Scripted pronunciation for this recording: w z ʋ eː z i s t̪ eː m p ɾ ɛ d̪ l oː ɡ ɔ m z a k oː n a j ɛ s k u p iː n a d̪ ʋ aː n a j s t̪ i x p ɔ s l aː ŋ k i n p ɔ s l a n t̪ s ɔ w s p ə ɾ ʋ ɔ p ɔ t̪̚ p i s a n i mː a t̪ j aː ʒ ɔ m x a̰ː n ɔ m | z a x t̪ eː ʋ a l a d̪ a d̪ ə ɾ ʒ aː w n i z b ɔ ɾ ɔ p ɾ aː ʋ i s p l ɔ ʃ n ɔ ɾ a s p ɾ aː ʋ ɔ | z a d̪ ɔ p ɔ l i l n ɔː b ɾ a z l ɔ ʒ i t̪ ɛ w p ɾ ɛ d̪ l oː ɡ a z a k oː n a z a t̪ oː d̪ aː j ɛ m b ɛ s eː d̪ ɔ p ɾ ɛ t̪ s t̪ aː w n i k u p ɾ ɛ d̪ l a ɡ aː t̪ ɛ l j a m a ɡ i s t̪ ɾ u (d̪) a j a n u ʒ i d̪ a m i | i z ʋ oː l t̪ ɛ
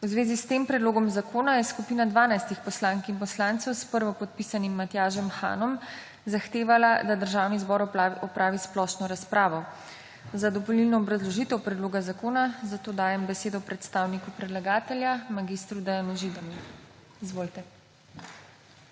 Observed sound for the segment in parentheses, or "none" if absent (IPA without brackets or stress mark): d̪